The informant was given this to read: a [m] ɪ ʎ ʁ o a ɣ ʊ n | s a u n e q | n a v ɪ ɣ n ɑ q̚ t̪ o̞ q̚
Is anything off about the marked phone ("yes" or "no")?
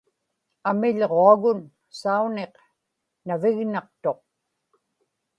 no